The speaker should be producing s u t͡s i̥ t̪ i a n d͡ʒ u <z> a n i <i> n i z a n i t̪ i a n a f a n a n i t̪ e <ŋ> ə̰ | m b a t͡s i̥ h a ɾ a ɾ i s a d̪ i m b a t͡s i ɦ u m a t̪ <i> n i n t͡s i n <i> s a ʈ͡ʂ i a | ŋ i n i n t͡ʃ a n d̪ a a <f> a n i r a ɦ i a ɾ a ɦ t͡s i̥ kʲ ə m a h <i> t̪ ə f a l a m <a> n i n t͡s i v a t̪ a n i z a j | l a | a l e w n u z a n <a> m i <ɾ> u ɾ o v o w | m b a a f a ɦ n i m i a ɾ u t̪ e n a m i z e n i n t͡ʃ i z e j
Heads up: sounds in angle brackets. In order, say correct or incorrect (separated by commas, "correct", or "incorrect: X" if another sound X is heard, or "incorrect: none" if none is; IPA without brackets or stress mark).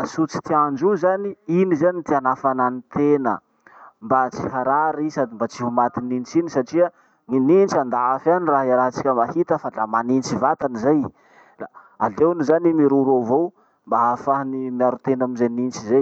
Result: correct, correct, incorrect: n, correct, correct, correct, correct, correct, incorrect: i, correct